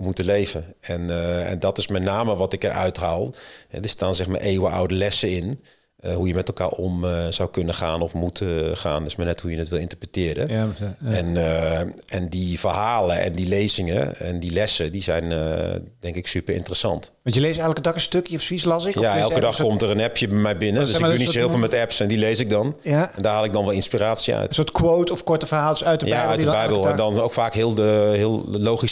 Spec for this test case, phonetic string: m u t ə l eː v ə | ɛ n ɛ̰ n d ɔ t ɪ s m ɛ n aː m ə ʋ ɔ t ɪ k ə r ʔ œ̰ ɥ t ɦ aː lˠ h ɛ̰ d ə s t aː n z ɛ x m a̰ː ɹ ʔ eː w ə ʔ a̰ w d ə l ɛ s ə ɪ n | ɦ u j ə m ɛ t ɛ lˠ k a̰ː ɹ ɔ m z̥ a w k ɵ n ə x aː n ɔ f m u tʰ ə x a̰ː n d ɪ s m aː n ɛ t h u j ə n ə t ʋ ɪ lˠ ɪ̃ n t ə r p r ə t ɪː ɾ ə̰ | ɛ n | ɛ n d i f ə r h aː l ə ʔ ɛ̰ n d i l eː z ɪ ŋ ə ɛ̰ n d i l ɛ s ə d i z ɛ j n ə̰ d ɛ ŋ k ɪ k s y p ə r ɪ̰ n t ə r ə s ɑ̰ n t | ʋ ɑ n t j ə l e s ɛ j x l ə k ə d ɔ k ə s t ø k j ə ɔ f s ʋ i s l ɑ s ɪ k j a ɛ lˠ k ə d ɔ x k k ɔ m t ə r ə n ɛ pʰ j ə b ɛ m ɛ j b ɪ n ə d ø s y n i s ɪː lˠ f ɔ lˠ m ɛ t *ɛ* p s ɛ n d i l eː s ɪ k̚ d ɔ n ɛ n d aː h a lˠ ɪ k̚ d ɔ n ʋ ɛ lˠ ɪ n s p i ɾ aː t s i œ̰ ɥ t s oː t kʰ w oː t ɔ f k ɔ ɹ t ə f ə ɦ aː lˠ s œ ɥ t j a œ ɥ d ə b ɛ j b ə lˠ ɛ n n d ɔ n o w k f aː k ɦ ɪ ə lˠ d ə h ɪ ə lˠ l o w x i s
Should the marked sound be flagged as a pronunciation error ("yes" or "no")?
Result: no